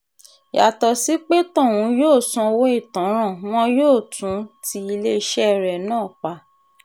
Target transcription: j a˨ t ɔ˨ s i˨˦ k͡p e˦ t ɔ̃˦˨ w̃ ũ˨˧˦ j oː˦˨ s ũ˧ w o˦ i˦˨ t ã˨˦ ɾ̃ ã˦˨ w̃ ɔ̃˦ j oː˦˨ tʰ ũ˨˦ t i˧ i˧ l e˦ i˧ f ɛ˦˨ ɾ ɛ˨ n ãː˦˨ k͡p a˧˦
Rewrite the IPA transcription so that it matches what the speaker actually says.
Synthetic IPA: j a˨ t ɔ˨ s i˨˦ k͡p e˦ t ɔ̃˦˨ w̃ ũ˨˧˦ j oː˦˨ s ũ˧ w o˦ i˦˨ t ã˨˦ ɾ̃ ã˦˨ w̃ ɔ̃˦ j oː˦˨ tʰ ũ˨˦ t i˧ i˧ l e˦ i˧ ʃ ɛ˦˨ ɾ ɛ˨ n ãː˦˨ k͡p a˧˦